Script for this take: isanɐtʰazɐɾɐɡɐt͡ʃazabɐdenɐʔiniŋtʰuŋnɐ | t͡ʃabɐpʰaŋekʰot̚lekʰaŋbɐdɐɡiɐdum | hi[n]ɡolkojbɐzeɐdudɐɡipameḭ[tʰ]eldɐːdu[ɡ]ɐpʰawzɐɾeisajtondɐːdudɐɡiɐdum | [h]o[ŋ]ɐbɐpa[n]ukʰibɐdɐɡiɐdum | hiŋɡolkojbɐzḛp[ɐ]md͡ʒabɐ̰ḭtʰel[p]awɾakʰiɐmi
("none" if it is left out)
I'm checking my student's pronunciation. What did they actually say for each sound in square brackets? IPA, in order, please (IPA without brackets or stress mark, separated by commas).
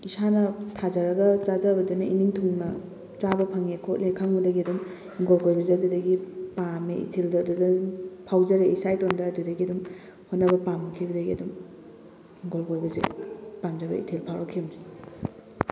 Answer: ŋ, tʰ, d, h, n, m, a, pʰ